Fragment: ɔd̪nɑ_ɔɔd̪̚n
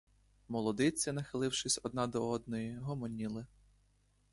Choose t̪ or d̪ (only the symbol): d̪